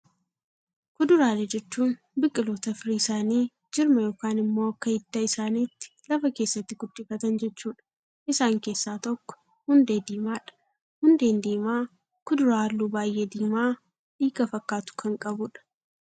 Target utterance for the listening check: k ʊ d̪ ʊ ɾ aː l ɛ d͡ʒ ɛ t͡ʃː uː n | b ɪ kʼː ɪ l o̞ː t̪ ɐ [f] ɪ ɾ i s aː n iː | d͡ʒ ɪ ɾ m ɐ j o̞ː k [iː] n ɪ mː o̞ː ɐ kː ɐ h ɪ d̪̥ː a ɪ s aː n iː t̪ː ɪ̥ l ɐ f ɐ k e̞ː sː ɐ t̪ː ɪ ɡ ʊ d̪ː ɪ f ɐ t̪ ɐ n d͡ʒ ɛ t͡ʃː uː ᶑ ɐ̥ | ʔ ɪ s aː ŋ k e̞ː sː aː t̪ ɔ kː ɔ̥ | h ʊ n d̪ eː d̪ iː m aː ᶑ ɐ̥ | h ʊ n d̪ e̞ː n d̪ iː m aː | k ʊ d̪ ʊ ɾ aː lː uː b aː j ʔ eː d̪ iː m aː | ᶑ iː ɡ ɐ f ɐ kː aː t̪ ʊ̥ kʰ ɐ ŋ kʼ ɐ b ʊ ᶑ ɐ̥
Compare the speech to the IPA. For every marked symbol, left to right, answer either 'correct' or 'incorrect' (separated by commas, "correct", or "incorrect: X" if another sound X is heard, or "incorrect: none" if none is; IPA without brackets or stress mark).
correct, incorrect: aː